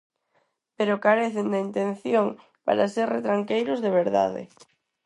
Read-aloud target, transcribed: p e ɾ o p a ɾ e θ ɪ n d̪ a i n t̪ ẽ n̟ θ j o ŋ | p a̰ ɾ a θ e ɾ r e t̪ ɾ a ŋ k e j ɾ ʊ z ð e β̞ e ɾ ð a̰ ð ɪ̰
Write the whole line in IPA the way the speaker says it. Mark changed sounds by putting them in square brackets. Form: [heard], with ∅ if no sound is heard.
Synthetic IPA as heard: p e ɾ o [k] a ɾ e θ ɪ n d̪ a i n t̪ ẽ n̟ θ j o ŋ | p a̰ ɾ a [s] e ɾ r e t̪ ɾ a ŋ k e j ɾ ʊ z ð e β̞ e ɾ ð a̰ ð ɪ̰